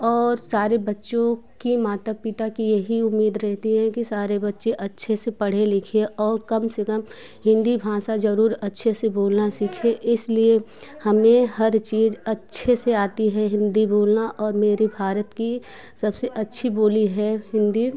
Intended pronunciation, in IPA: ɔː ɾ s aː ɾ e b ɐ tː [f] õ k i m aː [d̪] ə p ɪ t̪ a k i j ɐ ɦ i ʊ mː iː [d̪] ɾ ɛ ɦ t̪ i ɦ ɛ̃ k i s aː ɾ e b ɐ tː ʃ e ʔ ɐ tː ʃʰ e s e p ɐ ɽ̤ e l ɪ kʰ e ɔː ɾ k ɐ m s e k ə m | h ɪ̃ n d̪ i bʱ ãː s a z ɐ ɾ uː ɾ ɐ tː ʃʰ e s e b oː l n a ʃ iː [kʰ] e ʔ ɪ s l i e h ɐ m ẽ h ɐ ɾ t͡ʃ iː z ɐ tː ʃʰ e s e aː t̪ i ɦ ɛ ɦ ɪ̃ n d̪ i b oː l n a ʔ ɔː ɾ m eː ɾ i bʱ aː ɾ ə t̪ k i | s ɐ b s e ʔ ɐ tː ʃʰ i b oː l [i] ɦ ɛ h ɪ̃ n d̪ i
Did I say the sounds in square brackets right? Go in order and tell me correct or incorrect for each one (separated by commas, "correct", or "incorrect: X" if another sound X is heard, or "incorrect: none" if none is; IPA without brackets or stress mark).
incorrect: ʃ, incorrect: t̪, correct, correct, correct